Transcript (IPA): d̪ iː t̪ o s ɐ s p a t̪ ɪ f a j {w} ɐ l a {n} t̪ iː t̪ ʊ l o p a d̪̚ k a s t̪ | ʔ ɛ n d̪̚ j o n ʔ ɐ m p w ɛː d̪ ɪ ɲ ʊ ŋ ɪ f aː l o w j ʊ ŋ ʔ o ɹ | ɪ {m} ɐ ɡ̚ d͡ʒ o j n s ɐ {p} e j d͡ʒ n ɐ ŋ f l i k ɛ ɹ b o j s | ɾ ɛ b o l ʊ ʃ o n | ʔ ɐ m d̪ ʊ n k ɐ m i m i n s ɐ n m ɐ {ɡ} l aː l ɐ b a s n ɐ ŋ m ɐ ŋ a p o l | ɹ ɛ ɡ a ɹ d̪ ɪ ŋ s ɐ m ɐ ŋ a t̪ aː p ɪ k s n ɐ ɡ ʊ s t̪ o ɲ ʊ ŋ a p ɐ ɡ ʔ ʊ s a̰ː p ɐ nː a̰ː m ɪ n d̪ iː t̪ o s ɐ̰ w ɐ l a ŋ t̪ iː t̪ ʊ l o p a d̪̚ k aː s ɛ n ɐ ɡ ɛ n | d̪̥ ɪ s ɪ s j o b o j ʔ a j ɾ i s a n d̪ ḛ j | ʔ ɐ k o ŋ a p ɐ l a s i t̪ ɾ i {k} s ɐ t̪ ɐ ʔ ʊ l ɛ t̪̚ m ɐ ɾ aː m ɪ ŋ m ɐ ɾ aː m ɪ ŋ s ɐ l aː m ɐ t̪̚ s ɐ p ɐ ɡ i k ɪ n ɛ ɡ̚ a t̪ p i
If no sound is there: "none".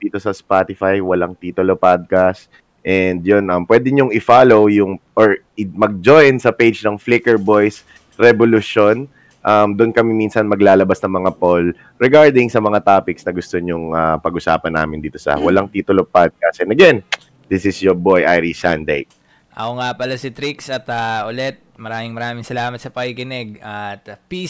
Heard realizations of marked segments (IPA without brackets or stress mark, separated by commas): w, ŋ, m, p, ɡ, k